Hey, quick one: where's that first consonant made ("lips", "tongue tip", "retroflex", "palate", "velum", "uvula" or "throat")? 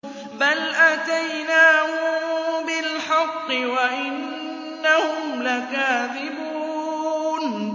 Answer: lips